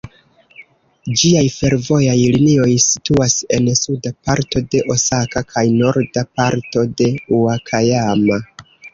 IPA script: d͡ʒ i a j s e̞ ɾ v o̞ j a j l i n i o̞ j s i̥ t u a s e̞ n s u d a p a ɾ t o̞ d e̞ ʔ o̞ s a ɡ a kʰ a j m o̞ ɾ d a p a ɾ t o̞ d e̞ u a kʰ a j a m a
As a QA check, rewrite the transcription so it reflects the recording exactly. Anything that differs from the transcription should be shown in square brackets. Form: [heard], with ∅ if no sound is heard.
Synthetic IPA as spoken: d͡ʒ i a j [f] e̞ ɾ v o̞ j a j l i n i o̞ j s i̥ t u a s e̞ n s u d a p a ɾ t o̞ d e̞ ʔ o̞ s a [k] a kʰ a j [n] o̞ ɾ d a p a ɾ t o̞ d e̞ u a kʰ a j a m a